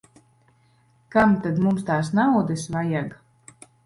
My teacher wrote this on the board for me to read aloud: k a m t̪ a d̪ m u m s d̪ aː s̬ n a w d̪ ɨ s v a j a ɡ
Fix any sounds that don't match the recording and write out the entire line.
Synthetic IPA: k a m t̪ a d̪ m u m s t̪ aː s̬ n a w d̪ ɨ s v a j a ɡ